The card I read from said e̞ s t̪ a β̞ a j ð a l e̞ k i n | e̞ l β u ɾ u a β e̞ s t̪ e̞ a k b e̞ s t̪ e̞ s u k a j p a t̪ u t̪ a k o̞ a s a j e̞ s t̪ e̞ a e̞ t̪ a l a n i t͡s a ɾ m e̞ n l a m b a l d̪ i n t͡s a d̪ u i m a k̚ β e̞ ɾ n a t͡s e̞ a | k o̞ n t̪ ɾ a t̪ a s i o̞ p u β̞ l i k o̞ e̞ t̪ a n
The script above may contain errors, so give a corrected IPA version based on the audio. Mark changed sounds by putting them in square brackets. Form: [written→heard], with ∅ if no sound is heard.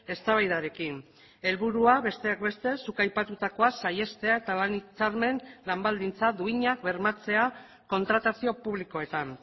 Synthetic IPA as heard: e̞ s t̪ a β̞ a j ð a [l→ɾ] e̞ k i n | e̞ l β u ɾ u a β e̞ s t̪ e̞ a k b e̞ s t̪ e̞ s u k a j p a t̪ u t̪ a k o̞ a s a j e̞ s t̪ e̞ a e̞ t̪ a l a n i t͡s a ɾ m e̞ n l a m b a l d̪ i n t͡s a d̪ u i [m→ɲ] a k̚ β e̞ ɾ [n→m] a t͡s e̞ a | k o̞ n t̪ ɾ a t̪ a s i o̞ p u β̞ l i k o̞ e̞ t̪ a n

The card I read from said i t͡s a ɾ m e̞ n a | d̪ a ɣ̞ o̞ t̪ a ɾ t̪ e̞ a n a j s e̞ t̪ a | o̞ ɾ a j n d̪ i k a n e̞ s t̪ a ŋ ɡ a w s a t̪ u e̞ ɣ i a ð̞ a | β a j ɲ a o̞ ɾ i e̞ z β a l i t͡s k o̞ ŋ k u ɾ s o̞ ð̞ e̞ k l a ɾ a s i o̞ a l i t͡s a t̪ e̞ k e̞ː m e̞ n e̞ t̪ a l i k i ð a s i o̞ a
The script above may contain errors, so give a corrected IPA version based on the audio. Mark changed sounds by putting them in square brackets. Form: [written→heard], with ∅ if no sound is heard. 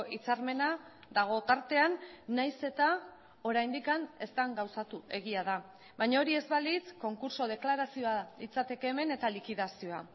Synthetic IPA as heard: i t͡s a ɾ m e̞ n a | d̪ a ɣ̞ o̞ t̪ a ɾ t̪ e̞ a [n→nː] a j s e̞ t̪ a | o̞ ɾ a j n d̪ i k a n e̞ s t̪ a ŋ ɡ a w s a t̪ u e̞ ɣ i a ð̞ a | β a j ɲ a o̞ ɾ i e̞ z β a l i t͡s k o̞ ŋ k u ɾ s o̞ ð̞ e̞ k l a ɾ a s i o̞ a l i t͡s a t̪ e̞ k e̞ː m e̞ n e̞ t̪ a l i k i ð a s i o̞ a

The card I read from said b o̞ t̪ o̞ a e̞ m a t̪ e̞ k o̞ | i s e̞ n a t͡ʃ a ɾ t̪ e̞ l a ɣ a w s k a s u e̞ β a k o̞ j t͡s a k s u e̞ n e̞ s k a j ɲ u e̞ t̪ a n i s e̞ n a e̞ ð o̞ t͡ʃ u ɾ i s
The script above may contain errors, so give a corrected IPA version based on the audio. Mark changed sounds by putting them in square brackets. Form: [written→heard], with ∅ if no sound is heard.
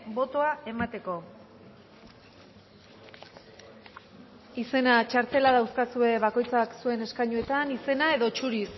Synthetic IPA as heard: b o̞ t̪ o̞ a e̞ m a t̪ e̞ k o̞ | i s e̞ n a t͡ʃ a ɾ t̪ e̞ l a [ɣ→ð] a w s k a s u e̞ β a k o̞ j t͡s a k s u e̞ n e̞ s k a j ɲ u e̞ t̪ a n i s e̞ n a e̞ ð o̞ t͡ʃ u ɾ i s

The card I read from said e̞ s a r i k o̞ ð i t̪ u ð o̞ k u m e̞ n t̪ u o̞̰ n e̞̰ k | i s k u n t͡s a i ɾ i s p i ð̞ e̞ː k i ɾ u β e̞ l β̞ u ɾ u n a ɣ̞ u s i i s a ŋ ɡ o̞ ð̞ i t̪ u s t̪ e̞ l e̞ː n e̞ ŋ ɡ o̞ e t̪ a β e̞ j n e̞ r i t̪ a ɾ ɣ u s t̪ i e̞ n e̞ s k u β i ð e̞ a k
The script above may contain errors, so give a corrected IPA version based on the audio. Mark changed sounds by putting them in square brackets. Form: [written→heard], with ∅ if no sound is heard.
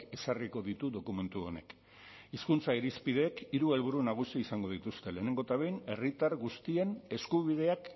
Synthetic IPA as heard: e̞ s a r i k o̞ ð i t̪ u ð o̞ k u m e̞ n t̪ u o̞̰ n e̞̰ k | i s k u n t͡s a i ɾ i s p i ð̞ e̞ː k i ɾ u [β→∅] e̞ l β̞ u ɾ u n a ɣ̞ u s i i s a ŋ ɡ o̞ ð̞ i t̪ u s t̪ e̞ l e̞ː n e̞ ŋ ɡ o̞ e t̪ a β e̞ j n e̞ r i t̪ a ɾ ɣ u s t̪ i e̞ n e̞ s k u β i ð e̞ a k

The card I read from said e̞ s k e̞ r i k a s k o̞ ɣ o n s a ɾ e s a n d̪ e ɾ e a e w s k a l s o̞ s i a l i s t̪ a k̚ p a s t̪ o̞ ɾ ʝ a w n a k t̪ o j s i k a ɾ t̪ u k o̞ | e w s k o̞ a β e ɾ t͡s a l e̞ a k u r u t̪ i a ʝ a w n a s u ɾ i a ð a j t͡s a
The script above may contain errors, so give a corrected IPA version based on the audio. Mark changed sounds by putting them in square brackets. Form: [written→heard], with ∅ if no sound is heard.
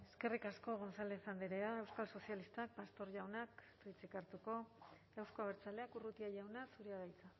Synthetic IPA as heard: e̞ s k e̞ r i k a s k o̞ ɣ o n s a [ɾ→l] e s a n d̪ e ɾ e a e w s k a l s o̞ s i a l i s t̪ a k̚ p a s t̪ o̞ ɾ ʝ a w n a k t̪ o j [s→t͡s] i k a ɾ t̪ u k o̞ | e w s k o̞ a β e ɾ t͡s a l e̞ a k u r u t̪ i a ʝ a w n a s u ɾ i a ð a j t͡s a

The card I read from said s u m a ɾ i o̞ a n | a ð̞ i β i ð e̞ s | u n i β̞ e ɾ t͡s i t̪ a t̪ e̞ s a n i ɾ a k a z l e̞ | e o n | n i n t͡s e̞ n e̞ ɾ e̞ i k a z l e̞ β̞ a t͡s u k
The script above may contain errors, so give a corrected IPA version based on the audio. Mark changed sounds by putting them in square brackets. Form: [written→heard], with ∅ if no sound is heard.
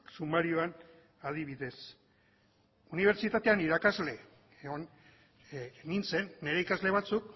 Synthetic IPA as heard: s u m a ɾ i o̞ a n | a ð̞ i β i ð e̞ s | u n i β̞ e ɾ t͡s i t̪ a t̪ e̞ [s→∅] a n i ɾ a k a z l e̞ | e o n | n i n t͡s e̞ [n→nː] e̞ ɾ e̞ i k a z l e̞ β̞ a t͡s u k

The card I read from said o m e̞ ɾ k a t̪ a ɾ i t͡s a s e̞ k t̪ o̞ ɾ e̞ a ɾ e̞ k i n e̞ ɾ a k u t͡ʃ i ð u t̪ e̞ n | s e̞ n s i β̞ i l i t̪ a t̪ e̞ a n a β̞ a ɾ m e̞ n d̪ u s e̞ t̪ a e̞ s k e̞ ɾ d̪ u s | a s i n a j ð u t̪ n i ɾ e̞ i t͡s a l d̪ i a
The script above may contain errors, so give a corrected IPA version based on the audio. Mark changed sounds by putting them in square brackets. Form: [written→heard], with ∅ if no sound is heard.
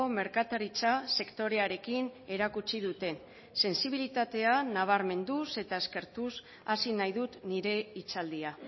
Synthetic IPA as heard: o m e̞ ɾ k a t̪ a ɾ i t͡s a s e̞ k t̪ o̞ ɾ e̞ a ɾ e̞ k i n e̞ ɾ a k u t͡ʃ i ð u t̪ e̞ n | s e̞ n s i β̞ i l i t̪ a t̪ e̞ a n a β̞ a ɾ m e̞ n d̪ u s e̞ t̪ a e̞ s k e̞ ɾ [d̪→t̪] u s | a s i n a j ð u t̪ n i ɾ e̞ i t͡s a l d̪ i a

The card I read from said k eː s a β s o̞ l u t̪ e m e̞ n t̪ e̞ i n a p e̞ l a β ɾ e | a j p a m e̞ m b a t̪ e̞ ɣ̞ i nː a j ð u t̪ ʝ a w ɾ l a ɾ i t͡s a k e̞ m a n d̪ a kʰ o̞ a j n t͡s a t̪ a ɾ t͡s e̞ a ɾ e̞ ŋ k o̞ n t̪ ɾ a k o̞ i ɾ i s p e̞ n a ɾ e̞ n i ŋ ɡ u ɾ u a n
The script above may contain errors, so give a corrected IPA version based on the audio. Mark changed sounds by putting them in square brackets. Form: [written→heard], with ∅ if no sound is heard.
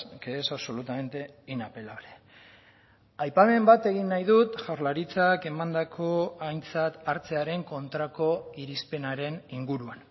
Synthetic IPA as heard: k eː s a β s o̞ l u t̪ [e→a] m e̞ n t̪ e̞ i n a p e̞ l a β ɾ e | a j p a m e̞ m b a t̪ e̞ ɣ̞ i nː a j ð u t̪ ʝ a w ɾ l a ɾ i t͡s a k e̞ m a n d̪ a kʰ o̞ a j n t͡s a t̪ a ɾ t͡s e̞ a ɾ e̞ ŋ k o̞ n t̪ ɾ a k o̞ i ɾ i s p e̞ n a ɾ e̞ n i ŋ ɡ u ɾ u a n

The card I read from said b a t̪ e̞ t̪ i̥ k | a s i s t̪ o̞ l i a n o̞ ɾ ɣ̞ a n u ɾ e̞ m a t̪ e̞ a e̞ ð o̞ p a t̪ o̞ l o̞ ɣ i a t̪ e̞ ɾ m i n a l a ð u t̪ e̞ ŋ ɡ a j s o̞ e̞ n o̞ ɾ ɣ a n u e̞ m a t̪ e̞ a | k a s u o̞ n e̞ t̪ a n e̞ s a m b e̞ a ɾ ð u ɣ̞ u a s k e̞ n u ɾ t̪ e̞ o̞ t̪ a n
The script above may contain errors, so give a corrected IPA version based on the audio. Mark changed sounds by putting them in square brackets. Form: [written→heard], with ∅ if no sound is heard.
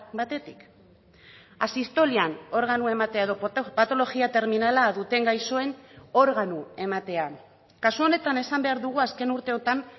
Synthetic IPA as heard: b a t̪ e̞ t̪ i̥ k | a s i s t̪ o̞ l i a n o̞ ɾ ɣ̞ a n u [ɾ→∅] e̞ m a t̪ e̞ a e̞ ð o̞ p a t̪ o̞ l o̞ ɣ i a t̪ e̞ ɾ m i n a l a ð u t̪ e̞ ŋ ɡ a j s o̞ e̞ n o̞ ɾ ɣ a n u e̞ m a t̪ e̞ a | k a s u o̞ n e̞ t̪ a n e̞ s a m b e̞ a ɾ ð u ɣ̞ u a s k e̞ n u ɾ t̪ e̞ o̞ t̪ a n

